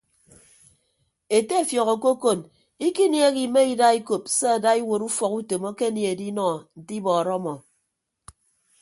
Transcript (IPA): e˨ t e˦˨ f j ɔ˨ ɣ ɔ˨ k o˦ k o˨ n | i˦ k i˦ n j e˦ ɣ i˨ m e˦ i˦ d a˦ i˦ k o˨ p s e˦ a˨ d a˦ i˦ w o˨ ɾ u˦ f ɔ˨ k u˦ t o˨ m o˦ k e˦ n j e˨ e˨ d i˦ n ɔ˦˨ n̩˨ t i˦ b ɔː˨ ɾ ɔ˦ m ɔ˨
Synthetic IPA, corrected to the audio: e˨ t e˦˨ f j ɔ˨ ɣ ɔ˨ k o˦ k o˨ n | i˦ k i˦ n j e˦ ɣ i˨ m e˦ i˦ d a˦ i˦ k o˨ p s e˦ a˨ d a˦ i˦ w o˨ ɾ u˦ f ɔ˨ k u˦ t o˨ m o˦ k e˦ n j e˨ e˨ d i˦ n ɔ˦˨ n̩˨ t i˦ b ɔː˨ ɾ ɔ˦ m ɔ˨